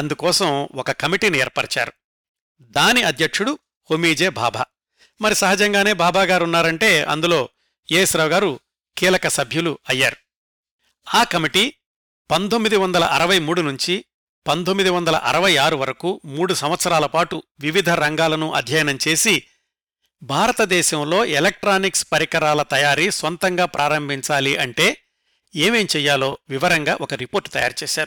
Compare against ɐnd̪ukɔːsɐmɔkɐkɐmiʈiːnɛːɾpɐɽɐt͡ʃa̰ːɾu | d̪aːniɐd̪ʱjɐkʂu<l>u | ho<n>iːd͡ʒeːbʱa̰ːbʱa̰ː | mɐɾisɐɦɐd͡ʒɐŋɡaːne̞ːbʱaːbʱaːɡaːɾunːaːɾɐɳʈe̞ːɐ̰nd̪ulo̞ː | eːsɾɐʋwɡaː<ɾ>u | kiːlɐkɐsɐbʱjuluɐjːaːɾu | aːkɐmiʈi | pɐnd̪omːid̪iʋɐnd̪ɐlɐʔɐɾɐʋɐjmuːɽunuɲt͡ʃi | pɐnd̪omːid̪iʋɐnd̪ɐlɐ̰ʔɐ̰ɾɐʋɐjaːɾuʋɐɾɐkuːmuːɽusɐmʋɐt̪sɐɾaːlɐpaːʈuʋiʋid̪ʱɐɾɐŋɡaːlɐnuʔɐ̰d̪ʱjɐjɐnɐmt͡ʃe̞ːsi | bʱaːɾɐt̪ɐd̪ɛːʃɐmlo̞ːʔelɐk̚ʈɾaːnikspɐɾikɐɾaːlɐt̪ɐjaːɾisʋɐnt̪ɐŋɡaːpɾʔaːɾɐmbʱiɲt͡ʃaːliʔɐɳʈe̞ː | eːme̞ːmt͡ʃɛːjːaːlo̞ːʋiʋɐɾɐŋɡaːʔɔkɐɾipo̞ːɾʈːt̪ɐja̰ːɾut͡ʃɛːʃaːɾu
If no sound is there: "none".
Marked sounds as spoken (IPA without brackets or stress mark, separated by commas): ɽ, m, ɾ